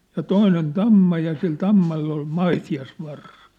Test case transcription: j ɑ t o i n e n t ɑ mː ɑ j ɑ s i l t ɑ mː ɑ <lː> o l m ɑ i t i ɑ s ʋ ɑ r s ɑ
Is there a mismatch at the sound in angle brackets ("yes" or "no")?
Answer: no